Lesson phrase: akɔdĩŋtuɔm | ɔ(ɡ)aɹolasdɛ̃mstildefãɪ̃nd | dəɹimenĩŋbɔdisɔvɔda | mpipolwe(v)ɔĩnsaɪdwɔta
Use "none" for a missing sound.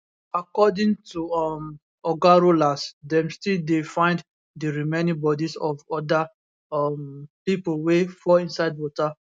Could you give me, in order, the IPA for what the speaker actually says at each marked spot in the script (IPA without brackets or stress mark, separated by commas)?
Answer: ɡ, f